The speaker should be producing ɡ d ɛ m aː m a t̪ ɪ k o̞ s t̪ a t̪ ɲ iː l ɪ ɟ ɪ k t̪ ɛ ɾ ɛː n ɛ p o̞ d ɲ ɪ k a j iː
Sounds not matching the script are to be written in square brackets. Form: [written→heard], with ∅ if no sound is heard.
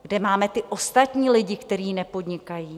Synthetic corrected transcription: ɡ d ɛ m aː m [a→ɛ] t̪ ɪ [k→ʔ] o̞ s t̪ a t̪ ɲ iː l ɪ ɟ ɪ k t̪ ɛ ɾ [ɛː→iː] n ɛ p o̞ d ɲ ɪ k a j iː